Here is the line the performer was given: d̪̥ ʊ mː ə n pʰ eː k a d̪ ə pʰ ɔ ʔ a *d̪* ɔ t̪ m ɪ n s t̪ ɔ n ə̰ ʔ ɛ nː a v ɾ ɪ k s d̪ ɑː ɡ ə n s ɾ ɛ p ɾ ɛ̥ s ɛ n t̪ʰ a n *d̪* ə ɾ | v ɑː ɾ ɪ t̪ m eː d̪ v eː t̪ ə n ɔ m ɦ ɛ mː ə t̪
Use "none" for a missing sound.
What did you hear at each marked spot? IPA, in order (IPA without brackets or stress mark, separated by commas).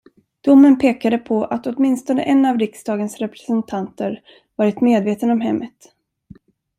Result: t̪, t̪